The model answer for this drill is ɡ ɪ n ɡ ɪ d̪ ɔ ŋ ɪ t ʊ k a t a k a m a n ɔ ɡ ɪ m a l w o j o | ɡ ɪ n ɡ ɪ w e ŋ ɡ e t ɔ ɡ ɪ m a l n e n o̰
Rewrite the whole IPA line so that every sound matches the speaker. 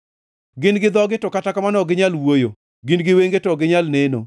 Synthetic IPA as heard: ɡ ɪ n ɡ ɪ d̪ ɔ ɡ ɪ t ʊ k a t a k a m a n ɔ ɡ ɪ ɲ a l w o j o | ɡ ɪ n ɡ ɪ w e ŋ ɡ e t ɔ ɡ ɪ ɲ a l n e n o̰